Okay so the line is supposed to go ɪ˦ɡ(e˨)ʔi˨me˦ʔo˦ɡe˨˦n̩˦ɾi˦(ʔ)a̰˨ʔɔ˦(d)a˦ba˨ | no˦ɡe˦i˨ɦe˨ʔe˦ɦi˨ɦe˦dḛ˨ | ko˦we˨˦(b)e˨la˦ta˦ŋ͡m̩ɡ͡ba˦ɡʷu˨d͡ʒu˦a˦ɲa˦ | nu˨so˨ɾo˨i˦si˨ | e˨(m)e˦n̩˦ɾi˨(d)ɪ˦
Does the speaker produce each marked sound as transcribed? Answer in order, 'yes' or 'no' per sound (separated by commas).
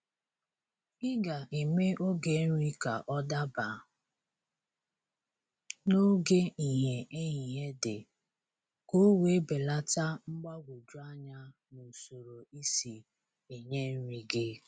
no, no, yes, yes, no, no